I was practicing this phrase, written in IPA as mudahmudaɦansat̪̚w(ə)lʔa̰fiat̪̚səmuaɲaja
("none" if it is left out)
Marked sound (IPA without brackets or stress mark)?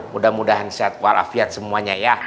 a